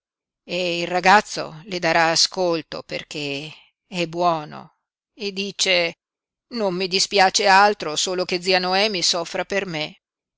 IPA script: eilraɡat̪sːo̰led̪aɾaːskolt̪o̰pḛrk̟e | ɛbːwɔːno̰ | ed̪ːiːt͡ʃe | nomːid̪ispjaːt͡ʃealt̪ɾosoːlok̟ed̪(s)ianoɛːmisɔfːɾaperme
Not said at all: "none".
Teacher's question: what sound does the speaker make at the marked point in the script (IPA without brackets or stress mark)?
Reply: z